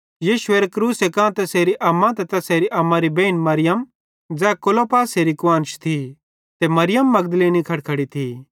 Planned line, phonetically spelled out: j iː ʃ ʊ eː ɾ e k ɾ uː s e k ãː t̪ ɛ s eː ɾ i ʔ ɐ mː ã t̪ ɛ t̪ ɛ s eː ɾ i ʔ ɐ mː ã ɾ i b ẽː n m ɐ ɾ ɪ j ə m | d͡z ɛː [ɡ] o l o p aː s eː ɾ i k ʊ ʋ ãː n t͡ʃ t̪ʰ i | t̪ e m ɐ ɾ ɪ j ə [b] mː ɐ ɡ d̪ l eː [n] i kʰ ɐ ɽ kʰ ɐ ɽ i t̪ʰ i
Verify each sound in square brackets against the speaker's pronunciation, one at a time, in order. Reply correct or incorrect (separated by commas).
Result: incorrect, incorrect, correct